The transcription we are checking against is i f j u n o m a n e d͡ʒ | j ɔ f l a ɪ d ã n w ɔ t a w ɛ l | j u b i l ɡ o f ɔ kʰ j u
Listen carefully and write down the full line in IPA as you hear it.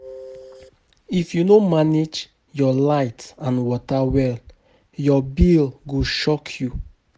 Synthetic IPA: i f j u n o m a n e d͡ʒ | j ɔ l a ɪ t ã n w ɔ t a w ɛ l | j ɔ b i l ɡ o ʃ ɔ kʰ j u